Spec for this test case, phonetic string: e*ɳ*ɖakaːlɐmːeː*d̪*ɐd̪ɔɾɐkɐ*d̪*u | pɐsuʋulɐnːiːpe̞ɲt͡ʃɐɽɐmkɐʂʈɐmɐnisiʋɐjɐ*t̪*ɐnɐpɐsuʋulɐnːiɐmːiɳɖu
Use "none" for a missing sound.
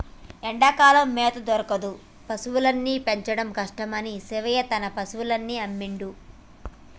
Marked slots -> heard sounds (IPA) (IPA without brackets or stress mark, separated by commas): ɳ, t̪, d̪, t̪